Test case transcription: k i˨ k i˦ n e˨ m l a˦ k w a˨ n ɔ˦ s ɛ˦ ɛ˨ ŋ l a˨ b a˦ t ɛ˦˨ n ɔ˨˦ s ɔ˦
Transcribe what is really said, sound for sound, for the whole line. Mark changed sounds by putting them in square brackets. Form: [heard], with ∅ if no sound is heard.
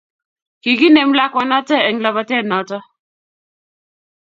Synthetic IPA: k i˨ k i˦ n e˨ m l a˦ k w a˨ n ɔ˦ [t] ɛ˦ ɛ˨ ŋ l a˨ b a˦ t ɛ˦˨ n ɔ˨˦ [t] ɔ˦